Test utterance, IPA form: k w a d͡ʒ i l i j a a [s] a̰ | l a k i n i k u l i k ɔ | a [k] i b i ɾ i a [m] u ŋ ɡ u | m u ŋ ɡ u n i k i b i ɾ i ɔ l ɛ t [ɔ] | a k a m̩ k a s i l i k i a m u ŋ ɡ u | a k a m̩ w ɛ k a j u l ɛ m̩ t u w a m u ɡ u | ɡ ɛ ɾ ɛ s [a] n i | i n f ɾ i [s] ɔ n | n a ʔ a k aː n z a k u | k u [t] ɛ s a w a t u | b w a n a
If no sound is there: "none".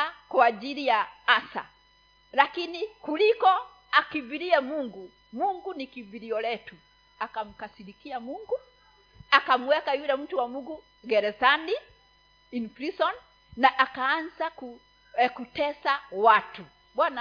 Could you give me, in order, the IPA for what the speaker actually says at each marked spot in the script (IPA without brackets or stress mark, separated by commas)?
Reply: s, k, m, u, a, s, t